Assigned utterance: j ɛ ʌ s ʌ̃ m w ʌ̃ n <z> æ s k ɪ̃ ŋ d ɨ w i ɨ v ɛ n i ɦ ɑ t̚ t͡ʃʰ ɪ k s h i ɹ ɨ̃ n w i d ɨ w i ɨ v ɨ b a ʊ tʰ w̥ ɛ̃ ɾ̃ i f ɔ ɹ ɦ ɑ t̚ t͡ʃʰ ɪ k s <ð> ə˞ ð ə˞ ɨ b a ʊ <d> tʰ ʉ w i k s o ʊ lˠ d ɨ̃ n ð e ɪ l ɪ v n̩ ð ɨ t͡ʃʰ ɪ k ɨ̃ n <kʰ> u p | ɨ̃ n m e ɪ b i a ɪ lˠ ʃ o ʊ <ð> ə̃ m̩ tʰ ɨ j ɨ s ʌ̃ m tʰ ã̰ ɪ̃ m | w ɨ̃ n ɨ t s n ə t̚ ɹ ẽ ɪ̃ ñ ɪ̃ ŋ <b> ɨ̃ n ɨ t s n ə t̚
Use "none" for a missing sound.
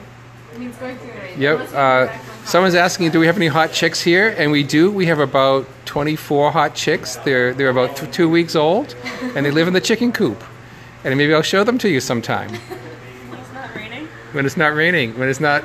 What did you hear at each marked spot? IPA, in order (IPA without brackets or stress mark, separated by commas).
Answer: z, ð, t, kʰ, ð, w